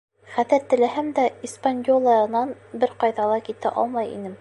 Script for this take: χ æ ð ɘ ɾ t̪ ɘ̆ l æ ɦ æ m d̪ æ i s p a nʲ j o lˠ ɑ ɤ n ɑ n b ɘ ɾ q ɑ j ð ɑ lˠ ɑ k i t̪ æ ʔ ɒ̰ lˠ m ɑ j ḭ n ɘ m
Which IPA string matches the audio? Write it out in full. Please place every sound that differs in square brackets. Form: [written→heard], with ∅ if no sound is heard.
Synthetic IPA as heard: χ æ ð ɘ ɾ t̪ ɘ̆ l æ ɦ æ m d̪ æ i s p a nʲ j o lˠ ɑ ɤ n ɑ n b ɘ ɾ q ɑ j ð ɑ lˠ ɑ k i t̪ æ ʔ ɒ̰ lˠ m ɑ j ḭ n ɘ m